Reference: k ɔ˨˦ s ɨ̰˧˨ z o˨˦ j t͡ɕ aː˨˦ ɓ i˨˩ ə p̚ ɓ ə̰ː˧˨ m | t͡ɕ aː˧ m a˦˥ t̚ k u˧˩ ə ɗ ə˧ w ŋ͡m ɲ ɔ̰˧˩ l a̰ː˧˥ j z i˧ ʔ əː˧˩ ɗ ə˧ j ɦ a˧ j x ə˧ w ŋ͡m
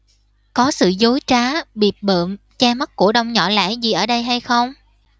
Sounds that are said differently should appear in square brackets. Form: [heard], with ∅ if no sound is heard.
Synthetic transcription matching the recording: k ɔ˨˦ s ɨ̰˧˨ z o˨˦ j t͡ɕ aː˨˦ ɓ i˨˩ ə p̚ ɓ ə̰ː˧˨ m | t͡ɕ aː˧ m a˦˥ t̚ k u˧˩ ə ɗ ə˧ w ŋ͡m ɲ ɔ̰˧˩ l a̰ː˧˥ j z [i˨˩] ʔ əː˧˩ ɗ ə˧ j ɦ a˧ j x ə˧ w ŋ͡m

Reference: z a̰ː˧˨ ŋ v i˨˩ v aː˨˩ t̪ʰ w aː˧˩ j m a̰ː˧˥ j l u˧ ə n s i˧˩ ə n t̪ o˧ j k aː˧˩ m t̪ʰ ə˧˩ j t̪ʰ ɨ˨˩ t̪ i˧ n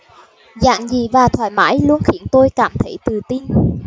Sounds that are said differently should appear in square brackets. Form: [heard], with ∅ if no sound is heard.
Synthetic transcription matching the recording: z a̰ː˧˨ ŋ [z] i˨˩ v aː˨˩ t̪ʰ w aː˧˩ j m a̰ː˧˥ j l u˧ ə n [x] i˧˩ ə n t̪ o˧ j k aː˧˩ m t̪ʰ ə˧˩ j [t̪] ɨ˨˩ t̪ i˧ n

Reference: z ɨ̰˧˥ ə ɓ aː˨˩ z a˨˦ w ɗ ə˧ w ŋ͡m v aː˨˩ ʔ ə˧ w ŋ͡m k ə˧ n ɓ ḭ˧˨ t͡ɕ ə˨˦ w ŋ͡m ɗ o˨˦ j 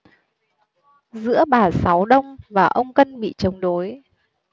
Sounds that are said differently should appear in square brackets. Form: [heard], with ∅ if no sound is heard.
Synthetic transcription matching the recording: z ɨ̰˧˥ ə ɓ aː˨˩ [s] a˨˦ w ɗ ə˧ w ŋ͡m v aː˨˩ ʔ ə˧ w ŋ͡m k ə˧ n ɓ ḭ˧˨ t͡ɕ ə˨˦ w ŋ͡m ɗ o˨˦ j

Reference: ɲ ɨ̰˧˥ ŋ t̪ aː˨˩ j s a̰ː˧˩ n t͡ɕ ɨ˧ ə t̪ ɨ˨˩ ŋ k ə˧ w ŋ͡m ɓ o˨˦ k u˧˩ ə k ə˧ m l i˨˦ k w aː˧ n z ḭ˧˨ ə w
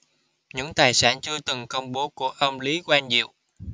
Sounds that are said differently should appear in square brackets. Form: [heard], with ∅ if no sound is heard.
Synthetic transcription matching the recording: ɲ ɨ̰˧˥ ŋ t̪ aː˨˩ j s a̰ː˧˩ n t͡ɕ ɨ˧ ə t̪ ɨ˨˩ ŋ k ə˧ w ŋ͡m ɓ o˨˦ k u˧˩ ə [ʔ] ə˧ m l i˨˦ k w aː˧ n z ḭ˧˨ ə w

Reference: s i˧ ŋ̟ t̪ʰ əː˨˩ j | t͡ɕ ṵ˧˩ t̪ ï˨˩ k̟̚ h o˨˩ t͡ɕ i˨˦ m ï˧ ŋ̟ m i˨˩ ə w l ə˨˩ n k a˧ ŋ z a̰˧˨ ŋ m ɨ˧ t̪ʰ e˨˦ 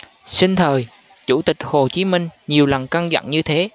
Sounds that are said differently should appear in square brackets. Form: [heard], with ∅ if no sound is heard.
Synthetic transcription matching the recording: s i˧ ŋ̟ t̪ʰ əː˨˩ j | t͡ɕ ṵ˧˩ t̪ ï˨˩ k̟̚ h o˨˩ t͡ɕ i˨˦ m ï˧ ŋ̟ [ɲ] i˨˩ ə w l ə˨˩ n k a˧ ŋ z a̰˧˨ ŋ [ɲ] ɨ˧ t̪ʰ e˨˦

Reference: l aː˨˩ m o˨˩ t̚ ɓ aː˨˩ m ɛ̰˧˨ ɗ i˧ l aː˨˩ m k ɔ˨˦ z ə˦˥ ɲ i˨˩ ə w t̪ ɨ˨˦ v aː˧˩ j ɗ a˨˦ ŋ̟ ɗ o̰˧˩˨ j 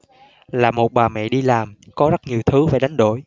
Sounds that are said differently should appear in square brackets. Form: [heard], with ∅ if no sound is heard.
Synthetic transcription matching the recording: l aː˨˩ m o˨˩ t̚ ɓ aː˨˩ m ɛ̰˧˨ ɗ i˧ l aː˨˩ m k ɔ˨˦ z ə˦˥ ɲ i˨˩ ə w [t̪ʰ] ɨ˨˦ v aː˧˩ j ɗ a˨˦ ŋ̟ ɗ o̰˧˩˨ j

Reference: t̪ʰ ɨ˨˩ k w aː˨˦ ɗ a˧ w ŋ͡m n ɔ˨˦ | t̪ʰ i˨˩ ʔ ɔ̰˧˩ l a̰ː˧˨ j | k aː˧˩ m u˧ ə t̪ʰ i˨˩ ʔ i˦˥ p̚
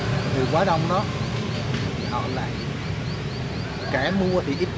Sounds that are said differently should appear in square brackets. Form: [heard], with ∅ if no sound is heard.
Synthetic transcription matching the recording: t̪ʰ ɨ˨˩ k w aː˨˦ ɗ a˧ w ŋ͡m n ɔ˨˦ | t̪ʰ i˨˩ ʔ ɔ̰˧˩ l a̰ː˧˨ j | k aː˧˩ m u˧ ə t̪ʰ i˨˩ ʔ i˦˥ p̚

